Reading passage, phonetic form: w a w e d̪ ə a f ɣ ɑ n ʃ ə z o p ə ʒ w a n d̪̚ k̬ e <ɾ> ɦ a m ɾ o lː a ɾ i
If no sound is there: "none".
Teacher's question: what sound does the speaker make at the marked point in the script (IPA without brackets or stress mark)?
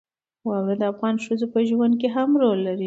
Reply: none